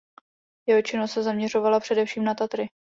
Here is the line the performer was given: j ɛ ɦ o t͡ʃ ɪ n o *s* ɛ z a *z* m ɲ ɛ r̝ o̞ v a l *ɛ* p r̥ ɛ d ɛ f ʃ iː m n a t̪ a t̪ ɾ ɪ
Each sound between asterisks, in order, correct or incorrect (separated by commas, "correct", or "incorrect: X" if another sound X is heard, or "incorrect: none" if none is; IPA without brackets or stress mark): correct, incorrect: none, incorrect: a